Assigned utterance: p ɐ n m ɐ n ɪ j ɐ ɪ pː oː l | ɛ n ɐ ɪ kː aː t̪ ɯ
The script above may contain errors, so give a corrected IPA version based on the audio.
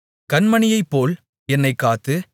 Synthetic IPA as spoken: k ɐ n m ɐ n ɪ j ɐ ɪ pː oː l | ɛ nː ɐ ɪ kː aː t̪ ɯ

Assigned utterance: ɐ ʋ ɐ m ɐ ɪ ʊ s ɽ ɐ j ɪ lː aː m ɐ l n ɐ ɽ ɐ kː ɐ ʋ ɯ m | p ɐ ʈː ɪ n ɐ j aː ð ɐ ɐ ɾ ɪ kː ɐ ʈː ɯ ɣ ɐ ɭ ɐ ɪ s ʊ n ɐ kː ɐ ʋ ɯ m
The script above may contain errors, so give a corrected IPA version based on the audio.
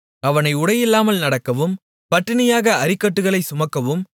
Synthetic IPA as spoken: ɐ ʋ ɐ n ɐ ɪ ʊ ɽ ɐ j ɪ lː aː m ɐ l n ɐ ɽ ɐ kː ɐ ʋ ɯ m | p ɐ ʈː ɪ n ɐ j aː ɣ ɐ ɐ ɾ ɪ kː ɐ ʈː ɯ ɣ ɐ ɭ ɐ ɪ s ʊ m ɐ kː ɐ ʋ ɯ m

